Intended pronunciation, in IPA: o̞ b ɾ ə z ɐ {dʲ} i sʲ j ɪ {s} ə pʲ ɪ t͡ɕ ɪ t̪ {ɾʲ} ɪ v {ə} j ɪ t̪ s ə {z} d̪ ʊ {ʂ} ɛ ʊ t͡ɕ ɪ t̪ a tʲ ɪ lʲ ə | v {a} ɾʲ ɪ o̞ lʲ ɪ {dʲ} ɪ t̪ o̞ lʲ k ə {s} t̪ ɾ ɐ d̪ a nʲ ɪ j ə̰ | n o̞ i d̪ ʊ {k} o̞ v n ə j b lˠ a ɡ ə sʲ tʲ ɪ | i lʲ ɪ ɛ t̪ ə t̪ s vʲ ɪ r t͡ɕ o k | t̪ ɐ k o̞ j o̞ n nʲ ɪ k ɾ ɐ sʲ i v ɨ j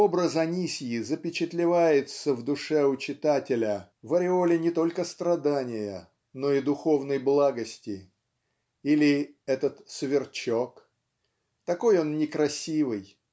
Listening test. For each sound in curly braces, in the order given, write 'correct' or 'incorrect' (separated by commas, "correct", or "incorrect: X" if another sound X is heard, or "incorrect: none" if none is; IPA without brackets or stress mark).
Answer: incorrect: nʲ, incorrect: z, incorrect: lʲ, incorrect: a, incorrect: v, correct, incorrect: ə, incorrect: nʲ, correct, incorrect: x